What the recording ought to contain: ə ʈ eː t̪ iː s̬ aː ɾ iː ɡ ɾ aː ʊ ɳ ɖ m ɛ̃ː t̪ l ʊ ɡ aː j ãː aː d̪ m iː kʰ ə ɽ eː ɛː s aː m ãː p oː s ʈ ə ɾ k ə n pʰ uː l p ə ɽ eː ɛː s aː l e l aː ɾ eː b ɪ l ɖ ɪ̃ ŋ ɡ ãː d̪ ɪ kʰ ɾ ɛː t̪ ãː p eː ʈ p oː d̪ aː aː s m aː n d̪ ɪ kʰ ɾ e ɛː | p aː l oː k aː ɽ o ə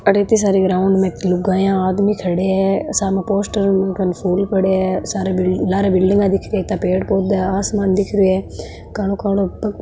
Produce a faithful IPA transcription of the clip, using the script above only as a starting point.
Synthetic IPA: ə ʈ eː t̪ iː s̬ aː ɾ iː ɡ ɾ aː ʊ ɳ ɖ m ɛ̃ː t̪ l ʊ ɡ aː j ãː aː d̪ m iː kʰ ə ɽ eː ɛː s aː m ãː p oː s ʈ ə ɾ k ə n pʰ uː l p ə ɽ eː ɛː s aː ɾ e l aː ɾ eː b ɪ l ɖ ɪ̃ ŋ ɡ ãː d̪ ɪ kʰ ɾ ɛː t̪ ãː p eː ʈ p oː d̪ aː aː s m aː n d̪ ɪ kʰ ɾ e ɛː | k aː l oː k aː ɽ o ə